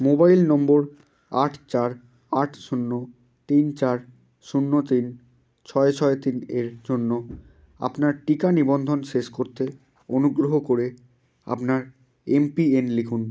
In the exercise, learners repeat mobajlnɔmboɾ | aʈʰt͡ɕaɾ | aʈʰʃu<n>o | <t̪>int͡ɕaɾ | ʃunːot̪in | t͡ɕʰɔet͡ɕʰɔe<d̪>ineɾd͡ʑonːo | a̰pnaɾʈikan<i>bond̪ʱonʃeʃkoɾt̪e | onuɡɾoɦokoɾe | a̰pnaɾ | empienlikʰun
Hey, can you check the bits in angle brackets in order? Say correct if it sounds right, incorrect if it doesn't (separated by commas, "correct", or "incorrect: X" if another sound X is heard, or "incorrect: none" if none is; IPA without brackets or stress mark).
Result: incorrect: nː, correct, incorrect: t̪, correct